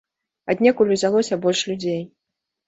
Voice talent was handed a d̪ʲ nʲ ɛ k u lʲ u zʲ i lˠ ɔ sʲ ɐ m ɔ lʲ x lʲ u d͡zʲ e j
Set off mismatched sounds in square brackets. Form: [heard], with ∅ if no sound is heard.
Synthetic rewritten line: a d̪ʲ nʲ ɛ k u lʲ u zʲ [a] lˠ ɔ sʲ ɐ [b] ɔ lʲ [ʂ] lʲ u d͡zʲ e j